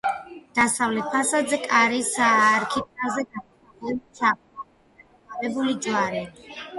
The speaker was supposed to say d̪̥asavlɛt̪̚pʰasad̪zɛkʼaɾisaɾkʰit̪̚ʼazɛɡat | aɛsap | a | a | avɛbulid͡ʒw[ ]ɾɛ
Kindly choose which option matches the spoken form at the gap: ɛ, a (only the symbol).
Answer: a